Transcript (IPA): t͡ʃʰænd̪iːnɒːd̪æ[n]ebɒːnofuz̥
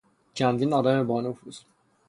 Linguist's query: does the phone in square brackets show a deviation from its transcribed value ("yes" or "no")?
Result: yes